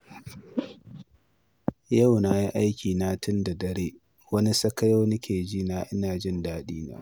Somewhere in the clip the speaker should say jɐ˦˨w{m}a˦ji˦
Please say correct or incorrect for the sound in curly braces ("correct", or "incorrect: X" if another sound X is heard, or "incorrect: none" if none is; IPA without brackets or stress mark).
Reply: incorrect: n